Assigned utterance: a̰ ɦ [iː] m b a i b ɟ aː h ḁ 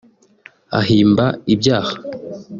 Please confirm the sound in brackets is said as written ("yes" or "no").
yes